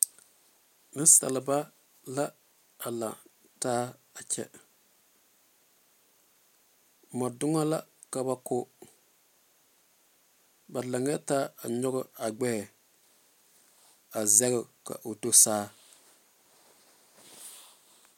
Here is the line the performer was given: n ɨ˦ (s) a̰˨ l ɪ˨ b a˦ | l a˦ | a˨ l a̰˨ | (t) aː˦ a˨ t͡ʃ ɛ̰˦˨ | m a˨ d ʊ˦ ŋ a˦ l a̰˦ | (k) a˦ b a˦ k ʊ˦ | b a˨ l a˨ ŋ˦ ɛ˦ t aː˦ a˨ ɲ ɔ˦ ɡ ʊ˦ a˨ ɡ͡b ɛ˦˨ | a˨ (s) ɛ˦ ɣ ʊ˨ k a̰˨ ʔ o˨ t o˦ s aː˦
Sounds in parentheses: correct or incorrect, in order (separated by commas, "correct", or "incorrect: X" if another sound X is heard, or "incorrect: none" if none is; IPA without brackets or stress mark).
correct, correct, correct, incorrect: z